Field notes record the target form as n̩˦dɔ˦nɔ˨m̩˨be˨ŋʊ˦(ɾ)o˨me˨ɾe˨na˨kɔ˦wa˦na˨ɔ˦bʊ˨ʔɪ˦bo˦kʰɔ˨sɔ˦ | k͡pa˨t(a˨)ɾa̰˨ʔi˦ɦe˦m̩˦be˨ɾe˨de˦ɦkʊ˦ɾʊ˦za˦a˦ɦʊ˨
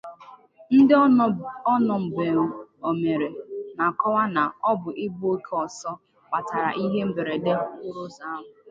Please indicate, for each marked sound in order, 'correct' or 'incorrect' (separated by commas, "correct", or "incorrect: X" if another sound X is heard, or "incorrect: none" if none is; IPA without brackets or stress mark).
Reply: incorrect: none, correct